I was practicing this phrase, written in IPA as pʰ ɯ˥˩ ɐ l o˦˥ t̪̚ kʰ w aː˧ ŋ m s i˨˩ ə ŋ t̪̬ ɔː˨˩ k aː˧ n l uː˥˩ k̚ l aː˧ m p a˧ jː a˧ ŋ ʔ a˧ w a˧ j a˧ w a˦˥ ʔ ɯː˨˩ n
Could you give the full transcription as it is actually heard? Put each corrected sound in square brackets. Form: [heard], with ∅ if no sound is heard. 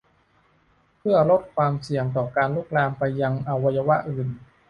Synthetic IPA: pʰ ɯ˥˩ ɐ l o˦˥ t̪̚ kʰ w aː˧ [∅] m s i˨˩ ə ŋ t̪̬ ɔː˨˩ k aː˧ n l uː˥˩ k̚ l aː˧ m p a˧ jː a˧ ŋ ʔ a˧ w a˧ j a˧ w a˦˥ ʔ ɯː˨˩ n